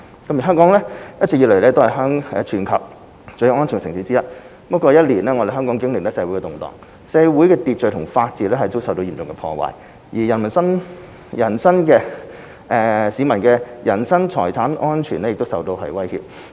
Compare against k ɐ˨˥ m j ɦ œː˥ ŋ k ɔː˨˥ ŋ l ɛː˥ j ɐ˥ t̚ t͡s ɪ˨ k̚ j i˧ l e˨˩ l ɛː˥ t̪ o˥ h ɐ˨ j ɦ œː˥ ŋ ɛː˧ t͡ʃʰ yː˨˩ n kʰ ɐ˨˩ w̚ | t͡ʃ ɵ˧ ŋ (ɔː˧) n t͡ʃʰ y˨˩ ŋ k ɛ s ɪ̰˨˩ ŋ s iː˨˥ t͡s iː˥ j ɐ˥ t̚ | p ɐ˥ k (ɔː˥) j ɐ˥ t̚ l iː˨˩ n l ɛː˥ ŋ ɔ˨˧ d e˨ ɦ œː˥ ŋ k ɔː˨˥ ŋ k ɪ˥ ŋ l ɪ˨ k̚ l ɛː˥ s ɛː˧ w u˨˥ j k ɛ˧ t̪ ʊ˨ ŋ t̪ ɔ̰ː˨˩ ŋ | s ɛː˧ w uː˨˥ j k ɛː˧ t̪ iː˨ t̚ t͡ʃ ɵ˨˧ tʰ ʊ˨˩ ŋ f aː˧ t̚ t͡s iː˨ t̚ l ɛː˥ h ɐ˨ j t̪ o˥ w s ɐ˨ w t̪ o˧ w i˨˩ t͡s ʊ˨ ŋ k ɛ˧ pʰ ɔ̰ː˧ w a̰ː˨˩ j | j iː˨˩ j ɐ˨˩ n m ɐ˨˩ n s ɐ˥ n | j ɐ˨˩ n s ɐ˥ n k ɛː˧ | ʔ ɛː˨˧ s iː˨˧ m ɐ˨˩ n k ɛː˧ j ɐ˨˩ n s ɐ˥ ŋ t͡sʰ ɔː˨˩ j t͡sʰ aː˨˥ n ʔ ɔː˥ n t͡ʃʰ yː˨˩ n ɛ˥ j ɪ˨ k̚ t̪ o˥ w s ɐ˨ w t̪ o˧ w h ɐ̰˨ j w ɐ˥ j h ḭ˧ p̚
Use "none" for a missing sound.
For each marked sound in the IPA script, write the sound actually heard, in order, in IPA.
ɔː˥, ɔː˧

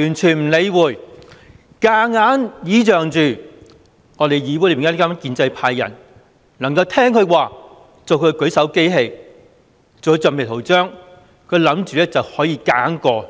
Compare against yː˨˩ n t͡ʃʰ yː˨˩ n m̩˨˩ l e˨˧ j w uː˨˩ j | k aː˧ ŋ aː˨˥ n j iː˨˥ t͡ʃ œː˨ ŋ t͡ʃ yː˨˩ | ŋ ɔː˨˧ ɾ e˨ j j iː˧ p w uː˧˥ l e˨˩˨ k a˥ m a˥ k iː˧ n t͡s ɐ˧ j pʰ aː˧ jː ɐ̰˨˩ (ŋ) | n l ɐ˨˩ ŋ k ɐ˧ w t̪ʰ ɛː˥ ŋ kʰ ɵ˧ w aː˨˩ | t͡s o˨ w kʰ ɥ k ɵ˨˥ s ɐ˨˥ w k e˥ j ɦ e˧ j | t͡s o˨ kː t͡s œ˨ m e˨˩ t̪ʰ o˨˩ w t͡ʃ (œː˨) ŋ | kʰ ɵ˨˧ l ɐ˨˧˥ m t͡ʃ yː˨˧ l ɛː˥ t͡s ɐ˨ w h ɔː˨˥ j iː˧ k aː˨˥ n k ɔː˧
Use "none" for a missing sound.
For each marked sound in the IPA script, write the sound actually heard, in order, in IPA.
n, œː˥

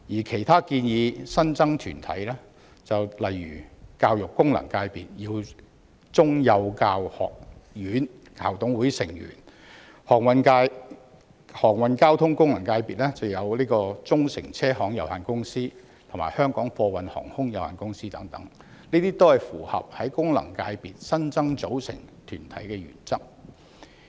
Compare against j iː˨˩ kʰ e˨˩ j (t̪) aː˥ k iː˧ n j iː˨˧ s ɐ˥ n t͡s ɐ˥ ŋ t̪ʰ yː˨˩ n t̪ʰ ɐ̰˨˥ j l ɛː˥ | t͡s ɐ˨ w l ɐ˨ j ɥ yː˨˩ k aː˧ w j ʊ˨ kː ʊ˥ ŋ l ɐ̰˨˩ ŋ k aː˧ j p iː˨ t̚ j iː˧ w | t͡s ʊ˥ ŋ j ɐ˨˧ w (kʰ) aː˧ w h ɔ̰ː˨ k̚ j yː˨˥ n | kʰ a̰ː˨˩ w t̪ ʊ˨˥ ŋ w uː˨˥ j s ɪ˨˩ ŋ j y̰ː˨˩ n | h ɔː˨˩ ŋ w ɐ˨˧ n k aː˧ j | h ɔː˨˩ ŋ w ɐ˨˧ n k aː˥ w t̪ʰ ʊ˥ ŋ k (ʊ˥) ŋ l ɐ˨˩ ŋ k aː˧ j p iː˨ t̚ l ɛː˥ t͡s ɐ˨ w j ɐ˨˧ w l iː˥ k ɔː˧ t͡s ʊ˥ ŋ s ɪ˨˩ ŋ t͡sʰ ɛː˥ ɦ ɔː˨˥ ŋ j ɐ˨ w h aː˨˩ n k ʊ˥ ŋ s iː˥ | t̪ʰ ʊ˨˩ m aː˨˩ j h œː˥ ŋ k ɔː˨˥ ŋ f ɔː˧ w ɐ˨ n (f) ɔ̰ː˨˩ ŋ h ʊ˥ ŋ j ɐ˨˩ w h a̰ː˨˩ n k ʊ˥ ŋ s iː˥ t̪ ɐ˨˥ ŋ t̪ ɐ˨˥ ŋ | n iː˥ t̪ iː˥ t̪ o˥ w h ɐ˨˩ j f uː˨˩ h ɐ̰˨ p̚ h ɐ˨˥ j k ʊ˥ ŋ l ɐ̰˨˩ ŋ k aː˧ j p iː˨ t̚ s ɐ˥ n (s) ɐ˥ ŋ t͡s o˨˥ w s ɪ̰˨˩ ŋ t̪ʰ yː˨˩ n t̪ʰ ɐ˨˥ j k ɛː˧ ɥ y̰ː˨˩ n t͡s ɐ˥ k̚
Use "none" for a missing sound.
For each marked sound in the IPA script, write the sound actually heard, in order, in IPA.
t̪ʰ, k, ʊ˥, h, t͡s

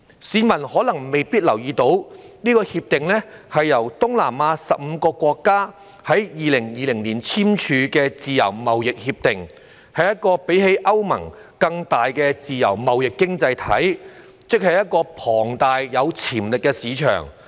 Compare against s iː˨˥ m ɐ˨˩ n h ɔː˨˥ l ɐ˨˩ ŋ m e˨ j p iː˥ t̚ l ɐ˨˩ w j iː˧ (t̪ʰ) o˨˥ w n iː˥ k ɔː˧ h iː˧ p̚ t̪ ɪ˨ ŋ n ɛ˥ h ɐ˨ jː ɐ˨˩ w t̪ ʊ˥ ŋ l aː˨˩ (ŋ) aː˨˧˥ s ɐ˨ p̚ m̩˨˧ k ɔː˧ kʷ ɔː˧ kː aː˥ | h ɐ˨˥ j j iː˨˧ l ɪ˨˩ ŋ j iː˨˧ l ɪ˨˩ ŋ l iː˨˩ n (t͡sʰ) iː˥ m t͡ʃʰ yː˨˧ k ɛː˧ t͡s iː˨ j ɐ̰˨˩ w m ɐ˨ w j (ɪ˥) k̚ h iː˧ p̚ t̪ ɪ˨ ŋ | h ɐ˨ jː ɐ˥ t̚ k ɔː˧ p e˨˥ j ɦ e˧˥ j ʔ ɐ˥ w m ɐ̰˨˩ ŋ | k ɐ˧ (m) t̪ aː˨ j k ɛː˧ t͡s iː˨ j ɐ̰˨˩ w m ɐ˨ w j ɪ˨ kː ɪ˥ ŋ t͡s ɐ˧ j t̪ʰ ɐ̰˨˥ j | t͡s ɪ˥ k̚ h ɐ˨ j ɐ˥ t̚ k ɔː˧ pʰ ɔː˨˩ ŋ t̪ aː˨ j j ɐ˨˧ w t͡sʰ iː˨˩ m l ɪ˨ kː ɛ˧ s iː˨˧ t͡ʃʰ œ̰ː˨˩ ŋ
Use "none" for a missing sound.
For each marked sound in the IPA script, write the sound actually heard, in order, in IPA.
t̪, m, t͡sʰ, ɪ˨, ŋ

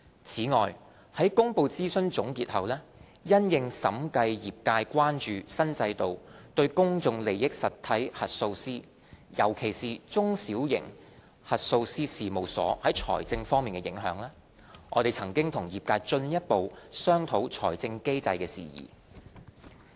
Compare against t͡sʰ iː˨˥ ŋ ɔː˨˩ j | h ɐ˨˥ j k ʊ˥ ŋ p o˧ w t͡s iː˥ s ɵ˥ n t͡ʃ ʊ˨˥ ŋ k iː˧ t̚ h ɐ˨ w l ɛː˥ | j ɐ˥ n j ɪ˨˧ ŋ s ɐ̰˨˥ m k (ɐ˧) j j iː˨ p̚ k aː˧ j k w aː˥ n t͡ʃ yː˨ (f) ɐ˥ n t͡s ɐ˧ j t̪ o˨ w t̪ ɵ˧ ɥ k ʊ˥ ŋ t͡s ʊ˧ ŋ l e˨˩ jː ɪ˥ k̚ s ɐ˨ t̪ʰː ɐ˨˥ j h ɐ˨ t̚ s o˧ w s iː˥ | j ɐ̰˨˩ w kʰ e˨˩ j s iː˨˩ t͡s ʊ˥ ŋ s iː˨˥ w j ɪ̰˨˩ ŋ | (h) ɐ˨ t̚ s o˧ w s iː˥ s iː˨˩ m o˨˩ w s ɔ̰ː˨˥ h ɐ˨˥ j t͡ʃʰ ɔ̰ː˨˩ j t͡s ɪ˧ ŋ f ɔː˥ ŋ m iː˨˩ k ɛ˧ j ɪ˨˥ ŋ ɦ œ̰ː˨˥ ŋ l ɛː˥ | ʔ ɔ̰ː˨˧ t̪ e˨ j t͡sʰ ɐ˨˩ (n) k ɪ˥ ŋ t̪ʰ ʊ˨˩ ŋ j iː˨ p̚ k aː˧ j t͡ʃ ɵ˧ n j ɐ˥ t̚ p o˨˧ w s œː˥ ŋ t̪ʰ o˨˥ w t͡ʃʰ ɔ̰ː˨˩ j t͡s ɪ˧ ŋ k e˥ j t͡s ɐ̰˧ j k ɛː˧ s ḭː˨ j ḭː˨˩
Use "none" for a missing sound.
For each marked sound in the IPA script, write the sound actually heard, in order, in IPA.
ɐ˧, s, h, ŋ

